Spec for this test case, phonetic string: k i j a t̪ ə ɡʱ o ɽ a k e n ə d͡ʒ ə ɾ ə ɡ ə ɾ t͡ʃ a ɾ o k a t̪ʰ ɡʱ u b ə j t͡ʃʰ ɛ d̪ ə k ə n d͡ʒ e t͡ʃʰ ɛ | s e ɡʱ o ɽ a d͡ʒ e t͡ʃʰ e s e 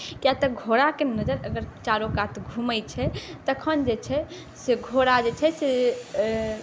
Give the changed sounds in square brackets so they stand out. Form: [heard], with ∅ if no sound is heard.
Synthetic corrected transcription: k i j a t̪ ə ɡʱ o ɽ a k e n ə d͡ʒ ə ɾ ə ɡ ə ɾ t͡ʃ a ɾ o k a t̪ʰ ɡʱ u [m] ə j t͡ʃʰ ɛ [t̪] ə [kʰ] ə n d͡ʒ e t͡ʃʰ ɛ | s e ɡʱ o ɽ a d͡ʒ e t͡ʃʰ [ɛ] s e